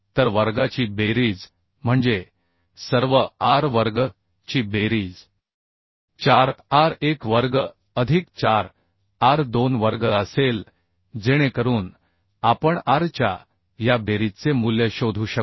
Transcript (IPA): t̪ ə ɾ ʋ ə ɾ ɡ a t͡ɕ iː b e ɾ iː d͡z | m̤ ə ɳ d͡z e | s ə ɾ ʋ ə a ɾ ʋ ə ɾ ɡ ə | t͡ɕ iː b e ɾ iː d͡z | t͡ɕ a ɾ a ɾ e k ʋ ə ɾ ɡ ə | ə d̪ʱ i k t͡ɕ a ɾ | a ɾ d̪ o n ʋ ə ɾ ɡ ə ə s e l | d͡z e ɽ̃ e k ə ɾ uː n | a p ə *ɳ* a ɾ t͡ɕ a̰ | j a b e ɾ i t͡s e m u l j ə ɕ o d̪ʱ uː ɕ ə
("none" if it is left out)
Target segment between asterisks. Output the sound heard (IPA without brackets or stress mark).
ɳ